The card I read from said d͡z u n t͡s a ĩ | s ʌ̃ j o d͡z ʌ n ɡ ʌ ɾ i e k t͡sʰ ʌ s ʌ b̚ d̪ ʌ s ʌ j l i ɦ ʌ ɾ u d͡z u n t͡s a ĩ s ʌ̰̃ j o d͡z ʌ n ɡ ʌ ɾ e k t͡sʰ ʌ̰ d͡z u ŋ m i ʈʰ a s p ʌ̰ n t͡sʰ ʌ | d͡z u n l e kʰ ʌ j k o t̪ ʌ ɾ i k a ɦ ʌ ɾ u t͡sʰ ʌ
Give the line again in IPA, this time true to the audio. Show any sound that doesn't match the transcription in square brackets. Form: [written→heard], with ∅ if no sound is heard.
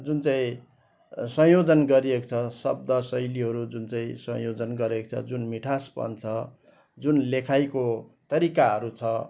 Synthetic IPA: d͡z u n t͡s a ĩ | s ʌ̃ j o d͡z ʌ n ɡ ʌ ɾ i e k t͡sʰ ʌ s ʌ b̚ d̪ ʌ s ʌ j l i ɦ ʌ ɾ u d͡z u n t͡s a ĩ s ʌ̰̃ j o d͡z ʌ n ɡ ʌ ɾ e k t͡sʰ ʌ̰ d͡z u [ŋ→n] m i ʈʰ a s p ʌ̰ n t͡sʰ ʌ | d͡z u n l e kʰ [ʌ→a] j k o t̪ ʌ ɾ i k a ɦ ʌ ɾ u t͡sʰ ʌ